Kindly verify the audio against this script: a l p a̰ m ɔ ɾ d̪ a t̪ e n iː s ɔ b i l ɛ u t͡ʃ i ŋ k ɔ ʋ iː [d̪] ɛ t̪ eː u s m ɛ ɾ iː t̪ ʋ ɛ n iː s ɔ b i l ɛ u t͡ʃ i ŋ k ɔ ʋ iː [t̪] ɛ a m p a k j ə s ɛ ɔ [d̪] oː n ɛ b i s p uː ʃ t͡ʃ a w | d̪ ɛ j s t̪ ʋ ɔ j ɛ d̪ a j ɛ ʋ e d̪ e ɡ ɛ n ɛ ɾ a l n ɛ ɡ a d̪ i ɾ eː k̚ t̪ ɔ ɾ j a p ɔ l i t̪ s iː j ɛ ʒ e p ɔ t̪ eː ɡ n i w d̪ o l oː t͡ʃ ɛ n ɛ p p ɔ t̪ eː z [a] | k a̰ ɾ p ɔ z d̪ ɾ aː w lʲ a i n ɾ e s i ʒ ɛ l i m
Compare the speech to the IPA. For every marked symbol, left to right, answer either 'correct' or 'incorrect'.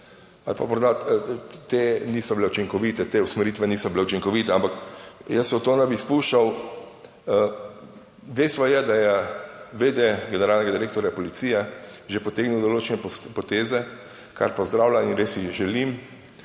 incorrect, correct, incorrect, incorrect

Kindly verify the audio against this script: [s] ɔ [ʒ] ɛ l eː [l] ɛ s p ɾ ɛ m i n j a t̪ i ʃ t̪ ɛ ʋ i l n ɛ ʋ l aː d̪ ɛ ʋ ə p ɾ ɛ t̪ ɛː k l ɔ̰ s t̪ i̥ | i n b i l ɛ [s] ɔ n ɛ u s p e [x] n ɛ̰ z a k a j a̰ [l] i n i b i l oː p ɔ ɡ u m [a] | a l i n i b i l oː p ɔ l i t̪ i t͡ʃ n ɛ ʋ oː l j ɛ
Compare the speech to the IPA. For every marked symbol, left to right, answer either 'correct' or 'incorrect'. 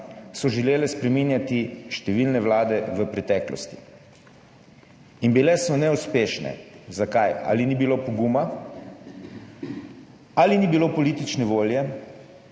correct, correct, correct, correct, incorrect, correct, correct

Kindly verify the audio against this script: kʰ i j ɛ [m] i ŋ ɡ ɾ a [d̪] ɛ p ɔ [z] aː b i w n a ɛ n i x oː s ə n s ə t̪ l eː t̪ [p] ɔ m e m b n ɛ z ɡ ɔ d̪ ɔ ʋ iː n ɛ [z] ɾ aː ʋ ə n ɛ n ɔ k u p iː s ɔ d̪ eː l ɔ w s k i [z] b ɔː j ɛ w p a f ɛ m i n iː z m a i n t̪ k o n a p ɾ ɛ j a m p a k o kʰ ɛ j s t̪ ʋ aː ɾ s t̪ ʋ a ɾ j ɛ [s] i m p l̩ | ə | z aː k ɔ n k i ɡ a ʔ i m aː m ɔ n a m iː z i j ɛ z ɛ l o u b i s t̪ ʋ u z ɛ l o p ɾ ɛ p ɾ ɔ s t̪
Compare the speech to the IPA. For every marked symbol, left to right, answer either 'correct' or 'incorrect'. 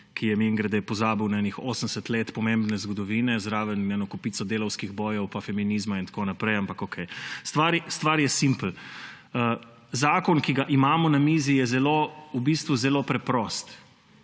correct, correct, correct, correct, correct, incorrect, correct

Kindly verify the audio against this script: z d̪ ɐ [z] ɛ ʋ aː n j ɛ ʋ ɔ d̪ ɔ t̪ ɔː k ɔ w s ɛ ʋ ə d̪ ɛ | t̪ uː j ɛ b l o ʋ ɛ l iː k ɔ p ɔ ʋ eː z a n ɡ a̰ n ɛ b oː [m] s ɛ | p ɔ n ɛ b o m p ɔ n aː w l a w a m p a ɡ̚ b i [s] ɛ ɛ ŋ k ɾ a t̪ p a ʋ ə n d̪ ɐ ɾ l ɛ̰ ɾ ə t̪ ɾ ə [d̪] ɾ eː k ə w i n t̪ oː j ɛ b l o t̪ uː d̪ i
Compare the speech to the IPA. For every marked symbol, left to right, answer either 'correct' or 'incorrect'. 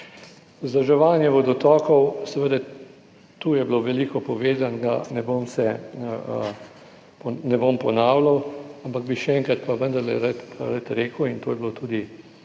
incorrect, correct, incorrect, incorrect

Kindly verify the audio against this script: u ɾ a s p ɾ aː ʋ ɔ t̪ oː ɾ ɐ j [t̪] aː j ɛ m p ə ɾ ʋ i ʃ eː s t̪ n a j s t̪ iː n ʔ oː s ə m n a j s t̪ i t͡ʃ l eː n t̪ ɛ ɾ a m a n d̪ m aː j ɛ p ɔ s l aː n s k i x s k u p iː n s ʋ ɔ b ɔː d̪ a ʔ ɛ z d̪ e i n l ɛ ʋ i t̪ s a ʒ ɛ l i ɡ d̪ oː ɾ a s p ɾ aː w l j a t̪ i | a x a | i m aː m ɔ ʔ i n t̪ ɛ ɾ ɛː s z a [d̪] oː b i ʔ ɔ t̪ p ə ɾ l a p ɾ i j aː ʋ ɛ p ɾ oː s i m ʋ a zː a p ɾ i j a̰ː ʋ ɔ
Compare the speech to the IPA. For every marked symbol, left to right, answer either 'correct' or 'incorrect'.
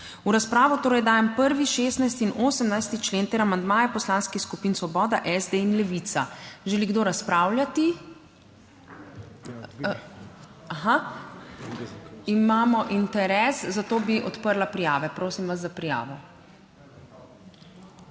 incorrect, incorrect

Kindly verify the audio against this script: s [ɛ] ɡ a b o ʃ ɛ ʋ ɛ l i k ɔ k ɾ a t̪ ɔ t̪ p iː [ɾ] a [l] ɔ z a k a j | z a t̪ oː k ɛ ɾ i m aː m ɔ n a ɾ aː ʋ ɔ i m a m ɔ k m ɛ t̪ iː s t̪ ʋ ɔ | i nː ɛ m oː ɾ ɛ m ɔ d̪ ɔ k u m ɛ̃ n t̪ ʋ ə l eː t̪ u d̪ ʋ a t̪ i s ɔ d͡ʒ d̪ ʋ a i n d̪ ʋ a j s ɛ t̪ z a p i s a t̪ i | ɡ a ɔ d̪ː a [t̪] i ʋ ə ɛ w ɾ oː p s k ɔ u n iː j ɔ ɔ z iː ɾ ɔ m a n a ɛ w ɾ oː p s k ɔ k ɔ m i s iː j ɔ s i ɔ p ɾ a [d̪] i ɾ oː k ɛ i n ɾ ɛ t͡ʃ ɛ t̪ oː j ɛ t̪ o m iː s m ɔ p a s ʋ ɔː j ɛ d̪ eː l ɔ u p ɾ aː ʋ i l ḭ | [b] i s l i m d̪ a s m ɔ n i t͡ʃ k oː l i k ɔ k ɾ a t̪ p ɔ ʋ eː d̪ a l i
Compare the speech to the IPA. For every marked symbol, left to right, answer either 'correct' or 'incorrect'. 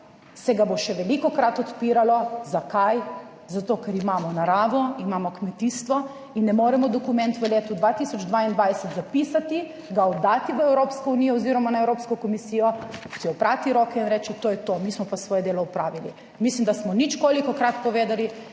correct, correct, correct, correct, incorrect, incorrect

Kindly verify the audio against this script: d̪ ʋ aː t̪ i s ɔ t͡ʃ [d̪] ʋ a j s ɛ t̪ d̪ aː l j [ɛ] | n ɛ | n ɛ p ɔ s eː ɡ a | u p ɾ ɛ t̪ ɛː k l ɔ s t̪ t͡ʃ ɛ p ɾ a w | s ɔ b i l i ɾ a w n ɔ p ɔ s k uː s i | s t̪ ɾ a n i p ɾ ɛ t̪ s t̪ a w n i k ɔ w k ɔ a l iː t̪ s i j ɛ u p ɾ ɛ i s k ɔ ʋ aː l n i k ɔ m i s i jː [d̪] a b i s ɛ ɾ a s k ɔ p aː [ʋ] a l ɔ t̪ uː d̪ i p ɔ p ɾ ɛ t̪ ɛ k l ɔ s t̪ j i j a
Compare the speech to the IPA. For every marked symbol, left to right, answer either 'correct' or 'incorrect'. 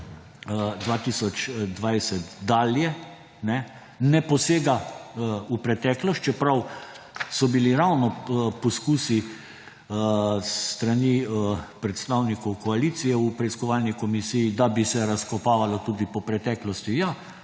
correct, correct, correct, correct

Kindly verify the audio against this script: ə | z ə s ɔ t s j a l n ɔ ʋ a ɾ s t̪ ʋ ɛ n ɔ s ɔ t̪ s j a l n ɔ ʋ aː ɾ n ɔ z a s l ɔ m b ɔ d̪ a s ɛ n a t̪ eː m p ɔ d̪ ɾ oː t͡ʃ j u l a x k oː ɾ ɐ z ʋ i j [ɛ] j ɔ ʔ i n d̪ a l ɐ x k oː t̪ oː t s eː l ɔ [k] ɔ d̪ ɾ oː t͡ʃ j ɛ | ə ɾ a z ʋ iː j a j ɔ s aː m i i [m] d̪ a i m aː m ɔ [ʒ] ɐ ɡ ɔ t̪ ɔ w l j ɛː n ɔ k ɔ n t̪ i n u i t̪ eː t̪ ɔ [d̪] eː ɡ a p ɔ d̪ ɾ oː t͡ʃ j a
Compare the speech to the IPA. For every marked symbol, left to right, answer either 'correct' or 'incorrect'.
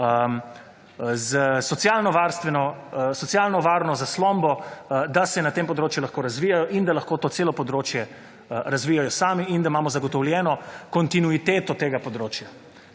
incorrect, incorrect, incorrect, incorrect, incorrect

